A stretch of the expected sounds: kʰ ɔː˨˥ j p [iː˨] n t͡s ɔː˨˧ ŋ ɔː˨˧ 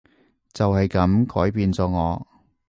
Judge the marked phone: correct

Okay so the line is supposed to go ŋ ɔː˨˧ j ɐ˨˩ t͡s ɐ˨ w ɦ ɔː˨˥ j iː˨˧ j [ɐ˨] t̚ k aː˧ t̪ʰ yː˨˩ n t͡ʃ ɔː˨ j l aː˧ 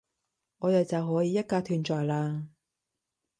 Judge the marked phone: incorrect: ɐ˥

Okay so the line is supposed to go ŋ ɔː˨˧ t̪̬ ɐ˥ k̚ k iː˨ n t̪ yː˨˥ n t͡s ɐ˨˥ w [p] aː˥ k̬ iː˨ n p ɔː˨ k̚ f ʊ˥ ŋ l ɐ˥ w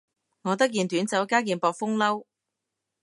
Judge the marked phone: incorrect: k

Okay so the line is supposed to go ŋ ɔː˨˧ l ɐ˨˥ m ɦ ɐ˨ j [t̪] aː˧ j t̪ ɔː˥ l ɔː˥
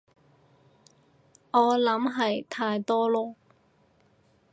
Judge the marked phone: incorrect: t̪ʰ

